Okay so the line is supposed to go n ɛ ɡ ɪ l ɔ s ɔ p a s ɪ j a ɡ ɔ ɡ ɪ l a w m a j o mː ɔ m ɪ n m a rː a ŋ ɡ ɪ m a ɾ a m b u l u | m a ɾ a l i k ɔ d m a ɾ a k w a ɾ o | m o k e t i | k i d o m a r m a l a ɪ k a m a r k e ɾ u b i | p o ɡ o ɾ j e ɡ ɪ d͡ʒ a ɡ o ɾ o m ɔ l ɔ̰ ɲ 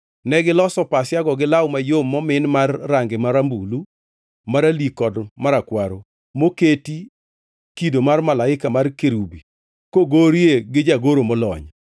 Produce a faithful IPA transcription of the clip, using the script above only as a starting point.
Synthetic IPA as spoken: n ɛ ɡ ɪ l ɔ s ɔ p a s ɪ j a ɡ ɔ ɡ ɪ l a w m a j o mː ɔ m ɪ n m a rː a ŋ ɡ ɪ m a ɾ a m b u l u | m a ɾ a l i k ɔ d m a ɾ a k w a ɾ o | m o k e t i | k i d o m a r m a l a ɪ k a m a r k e ɾ u b i | k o ɡ o ɾ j e ɡ ɪ d͡ʒ a ɡ o ɾ o m ɔ l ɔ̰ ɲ